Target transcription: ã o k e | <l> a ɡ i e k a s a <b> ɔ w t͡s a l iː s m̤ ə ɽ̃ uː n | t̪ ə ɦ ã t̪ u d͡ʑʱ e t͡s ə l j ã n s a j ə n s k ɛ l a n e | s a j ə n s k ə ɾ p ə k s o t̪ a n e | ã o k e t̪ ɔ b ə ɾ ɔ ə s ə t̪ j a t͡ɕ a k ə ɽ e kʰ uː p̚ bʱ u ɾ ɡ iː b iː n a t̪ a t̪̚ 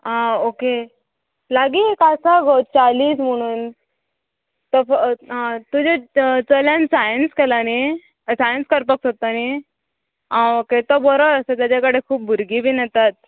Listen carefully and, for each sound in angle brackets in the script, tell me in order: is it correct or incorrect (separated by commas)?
correct, incorrect